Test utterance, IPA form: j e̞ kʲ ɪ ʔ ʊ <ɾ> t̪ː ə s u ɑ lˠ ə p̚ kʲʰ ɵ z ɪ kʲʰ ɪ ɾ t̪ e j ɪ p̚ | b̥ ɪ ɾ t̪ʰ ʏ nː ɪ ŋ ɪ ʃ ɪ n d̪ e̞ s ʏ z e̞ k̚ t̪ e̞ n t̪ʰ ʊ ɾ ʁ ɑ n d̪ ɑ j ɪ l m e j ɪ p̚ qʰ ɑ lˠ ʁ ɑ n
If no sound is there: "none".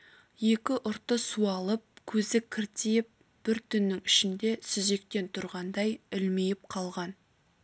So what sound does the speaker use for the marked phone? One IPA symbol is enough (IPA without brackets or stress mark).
ɾ